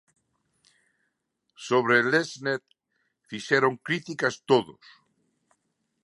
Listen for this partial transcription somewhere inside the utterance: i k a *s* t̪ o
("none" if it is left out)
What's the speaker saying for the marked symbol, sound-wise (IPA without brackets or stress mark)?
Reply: s